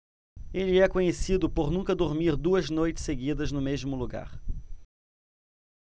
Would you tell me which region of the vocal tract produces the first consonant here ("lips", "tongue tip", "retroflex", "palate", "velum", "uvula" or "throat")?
tongue tip